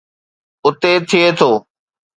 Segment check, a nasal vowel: absent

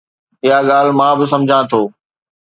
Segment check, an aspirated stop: present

